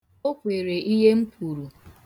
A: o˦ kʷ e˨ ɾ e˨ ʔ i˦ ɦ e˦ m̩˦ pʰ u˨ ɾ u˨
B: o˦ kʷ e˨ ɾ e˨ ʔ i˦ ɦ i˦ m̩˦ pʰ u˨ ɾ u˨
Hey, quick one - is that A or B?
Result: A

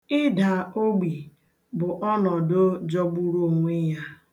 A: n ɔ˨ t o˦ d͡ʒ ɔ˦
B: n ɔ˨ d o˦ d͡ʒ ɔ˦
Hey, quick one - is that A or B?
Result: B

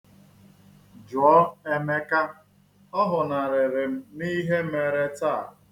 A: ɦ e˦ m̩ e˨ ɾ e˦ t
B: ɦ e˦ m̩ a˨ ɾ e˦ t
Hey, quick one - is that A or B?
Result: A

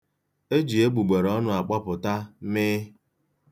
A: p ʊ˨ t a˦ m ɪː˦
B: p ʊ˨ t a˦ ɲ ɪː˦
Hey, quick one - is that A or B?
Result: A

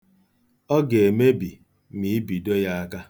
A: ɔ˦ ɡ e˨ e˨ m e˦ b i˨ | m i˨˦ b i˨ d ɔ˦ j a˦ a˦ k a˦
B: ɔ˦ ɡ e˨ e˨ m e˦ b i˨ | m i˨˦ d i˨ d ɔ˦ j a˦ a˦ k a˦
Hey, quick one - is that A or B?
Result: A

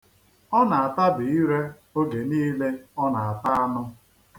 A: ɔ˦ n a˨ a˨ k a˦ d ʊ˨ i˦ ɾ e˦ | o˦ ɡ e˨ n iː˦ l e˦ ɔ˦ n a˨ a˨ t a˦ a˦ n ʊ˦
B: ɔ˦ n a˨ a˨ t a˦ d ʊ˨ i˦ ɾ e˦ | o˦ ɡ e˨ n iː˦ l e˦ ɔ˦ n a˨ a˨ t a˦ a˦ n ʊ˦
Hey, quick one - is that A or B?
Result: B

